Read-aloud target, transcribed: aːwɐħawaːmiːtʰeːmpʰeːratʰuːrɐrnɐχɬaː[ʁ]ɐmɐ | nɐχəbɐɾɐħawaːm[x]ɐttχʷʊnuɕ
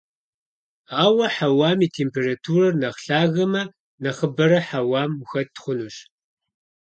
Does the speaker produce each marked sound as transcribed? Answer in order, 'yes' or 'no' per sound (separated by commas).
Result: no, yes